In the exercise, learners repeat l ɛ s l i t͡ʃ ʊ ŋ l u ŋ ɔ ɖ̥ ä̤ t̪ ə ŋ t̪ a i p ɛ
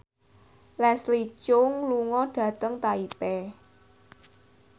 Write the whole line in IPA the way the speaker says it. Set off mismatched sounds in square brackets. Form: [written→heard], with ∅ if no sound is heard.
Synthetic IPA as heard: l ɛ s l i t͡ʃ ʊ ŋ l u ŋ ɔ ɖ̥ ä̤ t̪ ə ŋ t̪ a i p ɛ

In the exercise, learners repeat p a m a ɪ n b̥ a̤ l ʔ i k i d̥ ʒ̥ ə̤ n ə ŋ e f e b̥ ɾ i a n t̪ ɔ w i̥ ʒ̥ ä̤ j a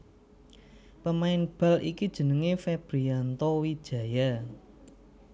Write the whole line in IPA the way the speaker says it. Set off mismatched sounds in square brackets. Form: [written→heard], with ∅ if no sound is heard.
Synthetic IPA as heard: p [a→ə] m a ɪ n b̥ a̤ l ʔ i k i d̥ ʒ̥ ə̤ n ə ŋ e f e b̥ ɾ i a n t̪ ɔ w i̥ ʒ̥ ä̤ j a

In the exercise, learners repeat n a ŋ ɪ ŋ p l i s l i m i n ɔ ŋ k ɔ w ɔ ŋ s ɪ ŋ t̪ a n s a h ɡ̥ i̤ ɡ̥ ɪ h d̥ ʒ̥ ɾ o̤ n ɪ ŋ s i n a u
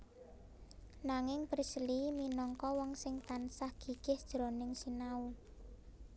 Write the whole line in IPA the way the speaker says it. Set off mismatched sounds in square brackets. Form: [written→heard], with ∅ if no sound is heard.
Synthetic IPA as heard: n a ŋ ɪ ŋ p [l→ɾ] i s l i m i n ɔ ŋ k ɔ w ɔ ŋ s ɪ ŋ t̪ a n s a h ɡ̥ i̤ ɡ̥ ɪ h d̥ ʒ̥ ɾ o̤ n ɪ ŋ s i n a u

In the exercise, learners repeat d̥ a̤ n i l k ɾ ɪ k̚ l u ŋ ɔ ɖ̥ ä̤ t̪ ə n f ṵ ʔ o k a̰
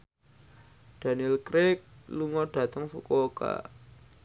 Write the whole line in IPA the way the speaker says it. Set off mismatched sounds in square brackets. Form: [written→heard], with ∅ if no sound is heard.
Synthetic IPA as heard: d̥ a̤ n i l k ɾ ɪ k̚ l u ŋ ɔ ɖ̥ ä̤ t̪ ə [n→ŋ] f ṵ [ʔ→k] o k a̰

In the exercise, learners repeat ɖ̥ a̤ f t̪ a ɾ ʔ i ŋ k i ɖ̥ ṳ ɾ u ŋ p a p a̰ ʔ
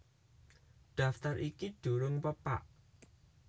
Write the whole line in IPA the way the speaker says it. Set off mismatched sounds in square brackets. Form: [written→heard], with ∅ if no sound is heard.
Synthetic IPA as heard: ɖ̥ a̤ f t̪ a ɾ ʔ i [ŋ→∅] k i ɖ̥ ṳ ɾ [u→ʊ] ŋ p [a→ə] p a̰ ʔ

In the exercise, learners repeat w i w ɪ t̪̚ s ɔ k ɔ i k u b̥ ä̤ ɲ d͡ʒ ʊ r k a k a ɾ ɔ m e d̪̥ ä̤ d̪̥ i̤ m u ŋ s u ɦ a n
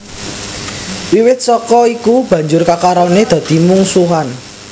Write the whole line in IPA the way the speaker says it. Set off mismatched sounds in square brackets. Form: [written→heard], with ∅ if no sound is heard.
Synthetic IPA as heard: w i w ɪ t̪̚ s ɔ k ɔ i k u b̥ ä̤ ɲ d͡ʒ ʊ r k a k a ɾ ɔ [m→n] e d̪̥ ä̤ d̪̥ i̤ m u ŋ s u ɦ a n

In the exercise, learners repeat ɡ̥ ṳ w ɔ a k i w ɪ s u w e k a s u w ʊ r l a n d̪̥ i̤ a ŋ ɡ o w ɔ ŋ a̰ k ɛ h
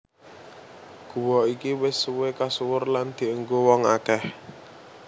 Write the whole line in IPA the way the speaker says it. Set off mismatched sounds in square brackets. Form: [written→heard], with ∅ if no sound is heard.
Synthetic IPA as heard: ɡ̥ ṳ w ɔ [a→i] k i w ɪ s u w e k a s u w ʊ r l a n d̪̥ i̤ [a→ə] ŋ ɡ o w ɔ ŋ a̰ k ɛ h

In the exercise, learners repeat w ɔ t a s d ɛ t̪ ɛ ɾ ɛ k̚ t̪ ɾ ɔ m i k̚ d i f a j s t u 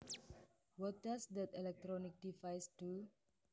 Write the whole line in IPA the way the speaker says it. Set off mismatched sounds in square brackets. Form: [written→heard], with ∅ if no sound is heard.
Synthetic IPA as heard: w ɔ t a s d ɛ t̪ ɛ [ɾ→l] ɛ k̚ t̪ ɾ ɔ [m→n] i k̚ d i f a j s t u

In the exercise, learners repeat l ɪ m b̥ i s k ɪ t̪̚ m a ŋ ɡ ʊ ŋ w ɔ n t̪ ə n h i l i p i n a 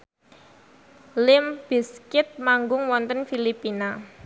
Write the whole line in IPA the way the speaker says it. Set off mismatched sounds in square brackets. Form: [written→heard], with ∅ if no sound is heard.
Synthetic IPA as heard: l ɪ m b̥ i s k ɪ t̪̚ m a ŋ ɡ ʊ ŋ w ɔ n t̪ ə n [h→f] i l i p i n a

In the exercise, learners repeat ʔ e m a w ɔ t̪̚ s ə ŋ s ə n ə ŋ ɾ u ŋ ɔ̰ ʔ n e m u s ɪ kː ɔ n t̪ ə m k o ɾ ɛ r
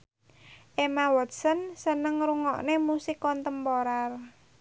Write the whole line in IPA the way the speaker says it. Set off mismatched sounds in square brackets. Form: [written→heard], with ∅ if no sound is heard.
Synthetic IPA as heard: ʔ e m a w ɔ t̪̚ s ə [ŋ→n] s ə n ə ŋ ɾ u ŋ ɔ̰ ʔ n e m u s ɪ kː ɔ n t̪ ə m [k→p] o ɾ [ɛ→a] r

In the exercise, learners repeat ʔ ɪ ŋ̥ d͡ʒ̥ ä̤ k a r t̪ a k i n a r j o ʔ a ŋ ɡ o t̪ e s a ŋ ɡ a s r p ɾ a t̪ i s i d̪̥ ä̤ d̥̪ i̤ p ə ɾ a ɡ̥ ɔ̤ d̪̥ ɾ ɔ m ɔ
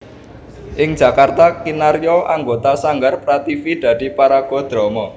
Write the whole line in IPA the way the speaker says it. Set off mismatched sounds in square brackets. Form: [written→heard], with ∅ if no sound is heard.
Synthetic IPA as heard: ʔ ɪ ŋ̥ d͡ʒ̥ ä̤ k a r t̪ a k i n a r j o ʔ a ŋ ɡ o t̪ [e→a] s a ŋ ɡ a [s→∅] r p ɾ a t̪ i [s→f] i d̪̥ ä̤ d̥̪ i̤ p [ə→a] ɾ a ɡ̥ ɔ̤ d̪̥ ɾ ɔ m ɔ

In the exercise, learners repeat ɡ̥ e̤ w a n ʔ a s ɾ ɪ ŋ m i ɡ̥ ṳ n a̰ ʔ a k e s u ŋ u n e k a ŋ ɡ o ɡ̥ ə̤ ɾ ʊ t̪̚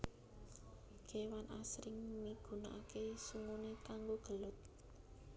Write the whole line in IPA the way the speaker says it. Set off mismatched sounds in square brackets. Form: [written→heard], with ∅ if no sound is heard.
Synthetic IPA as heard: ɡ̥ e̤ w a n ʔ a s ɾ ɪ ŋ m i ɡ̥ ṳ n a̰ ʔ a k e s u ŋ u n e k a ŋ ɡ o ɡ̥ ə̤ [ɾ→l] ʊ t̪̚

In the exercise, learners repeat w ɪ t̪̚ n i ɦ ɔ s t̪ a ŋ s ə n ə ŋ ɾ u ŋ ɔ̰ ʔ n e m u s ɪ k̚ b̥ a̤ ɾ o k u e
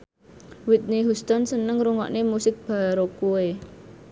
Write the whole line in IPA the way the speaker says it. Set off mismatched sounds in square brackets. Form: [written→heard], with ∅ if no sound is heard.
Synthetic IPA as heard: w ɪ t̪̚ n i ɦ [ɔ→u] s t̪ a [ŋ→n] s ə n ə ŋ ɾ u ŋ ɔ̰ ʔ n e m u s ɪ k̚ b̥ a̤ ɾ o k u e

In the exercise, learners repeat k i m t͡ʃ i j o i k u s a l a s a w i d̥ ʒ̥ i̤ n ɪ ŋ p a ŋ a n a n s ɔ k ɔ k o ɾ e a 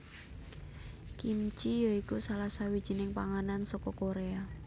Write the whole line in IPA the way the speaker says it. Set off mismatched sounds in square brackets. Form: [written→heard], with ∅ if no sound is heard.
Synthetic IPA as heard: k i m t͡ʃ i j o i k u s a l a s a w i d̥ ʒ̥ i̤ n ɪ ŋ p a ŋ a n a n s ɔ k ɔ k o ɾ e a

